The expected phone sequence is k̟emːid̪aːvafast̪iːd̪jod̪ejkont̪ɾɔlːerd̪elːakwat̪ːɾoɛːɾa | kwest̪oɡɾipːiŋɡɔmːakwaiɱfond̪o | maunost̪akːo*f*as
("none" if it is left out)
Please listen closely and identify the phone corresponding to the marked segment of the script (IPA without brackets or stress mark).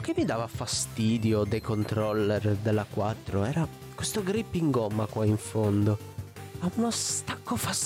f